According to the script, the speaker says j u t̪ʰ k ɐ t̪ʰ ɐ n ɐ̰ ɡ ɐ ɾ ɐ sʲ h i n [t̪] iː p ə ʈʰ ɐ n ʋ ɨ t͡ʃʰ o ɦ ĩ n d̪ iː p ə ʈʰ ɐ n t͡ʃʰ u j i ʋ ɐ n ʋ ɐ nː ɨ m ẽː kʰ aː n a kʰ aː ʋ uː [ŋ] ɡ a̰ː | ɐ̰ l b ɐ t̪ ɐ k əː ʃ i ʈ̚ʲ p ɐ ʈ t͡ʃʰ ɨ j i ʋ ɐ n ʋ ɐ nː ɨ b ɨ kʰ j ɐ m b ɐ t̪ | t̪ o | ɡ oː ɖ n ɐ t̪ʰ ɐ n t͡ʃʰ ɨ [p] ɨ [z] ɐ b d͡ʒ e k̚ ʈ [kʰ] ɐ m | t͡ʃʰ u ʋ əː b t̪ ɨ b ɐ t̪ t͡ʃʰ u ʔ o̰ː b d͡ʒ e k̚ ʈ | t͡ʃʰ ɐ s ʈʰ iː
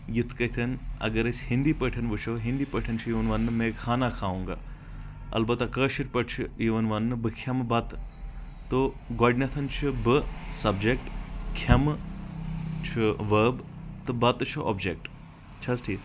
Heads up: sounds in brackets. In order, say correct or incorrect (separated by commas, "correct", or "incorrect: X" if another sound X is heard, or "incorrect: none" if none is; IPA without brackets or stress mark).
incorrect: d̪, correct, incorrect: b, incorrect: s, correct